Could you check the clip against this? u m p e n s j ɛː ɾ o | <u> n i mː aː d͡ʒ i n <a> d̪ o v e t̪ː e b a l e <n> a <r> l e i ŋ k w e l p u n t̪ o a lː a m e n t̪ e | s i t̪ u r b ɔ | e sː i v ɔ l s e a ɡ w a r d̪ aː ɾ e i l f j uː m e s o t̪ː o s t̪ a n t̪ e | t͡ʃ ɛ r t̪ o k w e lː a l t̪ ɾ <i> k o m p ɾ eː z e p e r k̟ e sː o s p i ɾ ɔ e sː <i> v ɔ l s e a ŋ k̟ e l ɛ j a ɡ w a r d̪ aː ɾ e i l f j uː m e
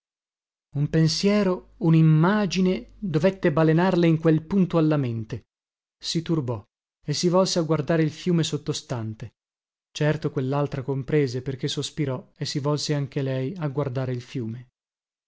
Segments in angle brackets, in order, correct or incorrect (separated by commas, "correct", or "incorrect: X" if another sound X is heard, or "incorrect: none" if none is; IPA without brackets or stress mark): correct, incorrect: e, correct, correct, incorrect: a, correct